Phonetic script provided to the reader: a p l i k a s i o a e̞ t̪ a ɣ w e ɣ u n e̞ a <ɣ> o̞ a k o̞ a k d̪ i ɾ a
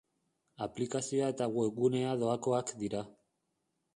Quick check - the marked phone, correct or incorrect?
incorrect